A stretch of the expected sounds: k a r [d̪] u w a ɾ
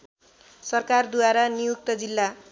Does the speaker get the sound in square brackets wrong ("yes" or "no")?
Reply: no